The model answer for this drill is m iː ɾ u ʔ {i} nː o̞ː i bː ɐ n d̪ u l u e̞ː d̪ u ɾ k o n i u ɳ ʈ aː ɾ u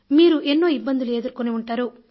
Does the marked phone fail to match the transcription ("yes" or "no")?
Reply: yes